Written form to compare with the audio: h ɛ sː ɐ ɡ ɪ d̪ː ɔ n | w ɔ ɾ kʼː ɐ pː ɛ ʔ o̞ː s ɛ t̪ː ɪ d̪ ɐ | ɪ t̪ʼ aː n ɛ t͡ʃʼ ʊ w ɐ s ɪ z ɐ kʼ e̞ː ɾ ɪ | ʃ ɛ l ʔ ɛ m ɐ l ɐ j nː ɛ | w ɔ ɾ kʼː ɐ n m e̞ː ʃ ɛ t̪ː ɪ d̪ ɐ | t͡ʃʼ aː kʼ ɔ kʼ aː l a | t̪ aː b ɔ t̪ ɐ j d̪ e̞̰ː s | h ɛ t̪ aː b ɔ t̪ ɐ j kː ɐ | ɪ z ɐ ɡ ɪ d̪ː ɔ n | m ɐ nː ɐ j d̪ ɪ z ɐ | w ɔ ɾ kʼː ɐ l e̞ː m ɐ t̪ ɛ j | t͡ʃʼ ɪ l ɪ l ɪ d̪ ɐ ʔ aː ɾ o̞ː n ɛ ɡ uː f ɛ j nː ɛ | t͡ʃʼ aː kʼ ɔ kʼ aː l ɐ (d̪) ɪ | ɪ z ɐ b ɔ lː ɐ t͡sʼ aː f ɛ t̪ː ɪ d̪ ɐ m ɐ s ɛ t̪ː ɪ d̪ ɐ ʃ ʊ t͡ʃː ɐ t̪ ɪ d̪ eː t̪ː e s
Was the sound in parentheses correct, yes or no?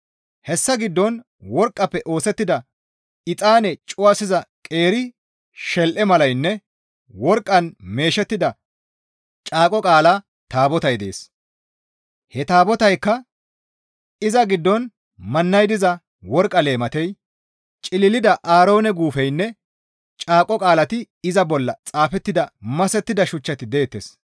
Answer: no